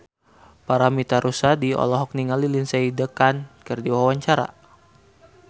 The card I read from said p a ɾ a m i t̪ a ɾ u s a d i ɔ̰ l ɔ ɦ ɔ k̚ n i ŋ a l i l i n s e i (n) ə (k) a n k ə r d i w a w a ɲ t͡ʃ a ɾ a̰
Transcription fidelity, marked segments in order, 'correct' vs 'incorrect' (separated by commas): incorrect, correct